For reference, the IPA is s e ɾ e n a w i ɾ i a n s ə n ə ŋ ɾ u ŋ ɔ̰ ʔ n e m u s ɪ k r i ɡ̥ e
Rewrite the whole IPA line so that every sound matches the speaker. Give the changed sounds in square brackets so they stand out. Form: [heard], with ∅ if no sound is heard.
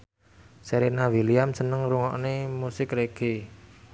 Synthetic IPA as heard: s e ɾ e n a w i [l] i a [m] s ə n ə ŋ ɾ u ŋ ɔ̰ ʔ n e m u s ɪ k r [e] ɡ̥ e